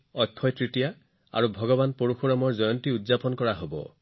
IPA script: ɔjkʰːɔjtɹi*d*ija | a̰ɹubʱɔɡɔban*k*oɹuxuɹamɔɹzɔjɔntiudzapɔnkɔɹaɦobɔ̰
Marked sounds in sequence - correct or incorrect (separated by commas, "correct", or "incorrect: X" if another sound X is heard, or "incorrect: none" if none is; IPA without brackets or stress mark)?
incorrect: t, incorrect: p